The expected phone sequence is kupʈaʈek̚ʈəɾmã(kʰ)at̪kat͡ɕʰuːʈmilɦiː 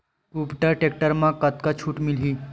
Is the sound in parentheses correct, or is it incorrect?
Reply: incorrect